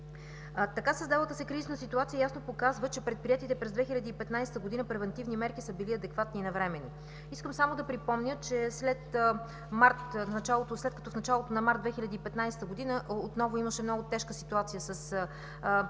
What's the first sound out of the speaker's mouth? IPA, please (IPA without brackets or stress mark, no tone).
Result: t̪